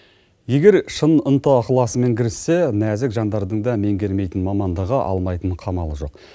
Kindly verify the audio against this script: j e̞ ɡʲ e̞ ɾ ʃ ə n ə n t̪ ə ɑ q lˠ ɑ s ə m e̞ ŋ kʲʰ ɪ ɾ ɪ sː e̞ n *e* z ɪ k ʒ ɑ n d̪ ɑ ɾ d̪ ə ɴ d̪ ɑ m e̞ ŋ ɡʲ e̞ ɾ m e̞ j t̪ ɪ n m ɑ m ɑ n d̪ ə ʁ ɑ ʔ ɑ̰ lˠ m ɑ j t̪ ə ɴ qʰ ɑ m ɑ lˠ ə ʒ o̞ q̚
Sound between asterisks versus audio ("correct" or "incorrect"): incorrect